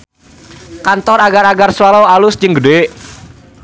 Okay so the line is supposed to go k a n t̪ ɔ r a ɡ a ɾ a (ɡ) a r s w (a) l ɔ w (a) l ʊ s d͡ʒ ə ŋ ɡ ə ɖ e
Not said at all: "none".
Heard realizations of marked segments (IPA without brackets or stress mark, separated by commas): ɡ, a, a